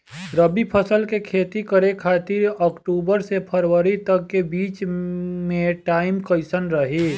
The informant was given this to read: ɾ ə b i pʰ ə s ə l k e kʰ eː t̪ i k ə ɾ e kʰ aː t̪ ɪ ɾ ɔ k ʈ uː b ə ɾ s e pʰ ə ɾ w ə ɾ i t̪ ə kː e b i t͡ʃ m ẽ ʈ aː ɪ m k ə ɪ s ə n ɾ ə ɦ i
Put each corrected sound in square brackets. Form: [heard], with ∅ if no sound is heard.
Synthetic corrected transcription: ɾ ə b i pʰ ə s ə l k e kʰ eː t̪ i k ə ɾ e kʰ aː t̪ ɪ ɾ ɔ k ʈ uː b ə ɾ s e pʰ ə ɾ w ə ɾ i t̪ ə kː e b [iː] t͡ʃ m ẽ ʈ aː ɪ m k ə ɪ s ə n ɾ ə ɦ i